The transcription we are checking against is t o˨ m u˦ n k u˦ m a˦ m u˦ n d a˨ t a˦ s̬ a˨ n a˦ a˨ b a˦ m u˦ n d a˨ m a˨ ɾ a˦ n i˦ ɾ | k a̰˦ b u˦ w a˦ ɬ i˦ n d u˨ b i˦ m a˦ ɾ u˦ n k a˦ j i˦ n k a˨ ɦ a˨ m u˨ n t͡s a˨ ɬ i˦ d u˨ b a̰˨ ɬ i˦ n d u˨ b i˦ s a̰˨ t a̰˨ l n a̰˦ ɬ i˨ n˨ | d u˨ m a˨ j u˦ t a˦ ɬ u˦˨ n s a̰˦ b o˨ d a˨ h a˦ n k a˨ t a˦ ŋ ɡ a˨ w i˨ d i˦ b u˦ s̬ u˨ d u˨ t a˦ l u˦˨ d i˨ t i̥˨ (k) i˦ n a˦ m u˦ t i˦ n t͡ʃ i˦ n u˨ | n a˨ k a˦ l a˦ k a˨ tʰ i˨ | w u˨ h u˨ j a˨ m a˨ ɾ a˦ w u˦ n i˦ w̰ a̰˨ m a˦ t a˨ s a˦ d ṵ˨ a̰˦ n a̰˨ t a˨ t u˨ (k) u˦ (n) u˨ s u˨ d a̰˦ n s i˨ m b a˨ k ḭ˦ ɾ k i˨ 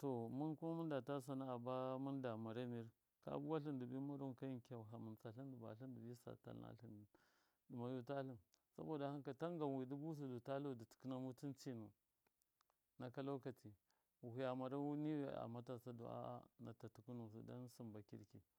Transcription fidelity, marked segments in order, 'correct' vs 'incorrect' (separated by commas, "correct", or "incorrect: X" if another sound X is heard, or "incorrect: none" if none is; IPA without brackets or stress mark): correct, correct, correct